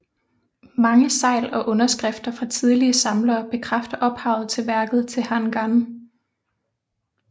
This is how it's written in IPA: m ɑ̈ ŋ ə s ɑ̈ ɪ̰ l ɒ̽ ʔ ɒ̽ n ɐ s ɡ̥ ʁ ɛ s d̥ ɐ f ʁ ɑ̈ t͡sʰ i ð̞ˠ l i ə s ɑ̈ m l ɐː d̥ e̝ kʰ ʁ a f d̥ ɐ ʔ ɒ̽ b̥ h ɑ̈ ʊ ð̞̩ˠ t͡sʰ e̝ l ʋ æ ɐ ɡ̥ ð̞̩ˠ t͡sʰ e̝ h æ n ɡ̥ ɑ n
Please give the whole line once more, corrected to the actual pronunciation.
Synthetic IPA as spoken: m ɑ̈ ŋ ə s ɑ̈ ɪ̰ l ɒ̽ ʔ ɔ̽ n ɐ s ɡ̥ ʁ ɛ f d̥ ɐ f ʁ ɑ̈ t͡sʰ i ð̞ˠ l i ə s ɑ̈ m l ɐː b̥ e̝ kʰ ʁ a f d̥ ɐ ʔ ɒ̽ b̥ h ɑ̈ ʊ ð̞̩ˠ t͡sʰ e̝ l ʋ æ ɐ ɡ̥ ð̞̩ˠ t͡sʰ e̝ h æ n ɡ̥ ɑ n